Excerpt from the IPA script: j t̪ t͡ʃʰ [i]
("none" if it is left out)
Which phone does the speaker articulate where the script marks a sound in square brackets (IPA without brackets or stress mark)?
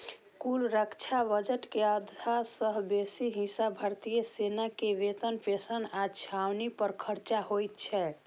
ɛ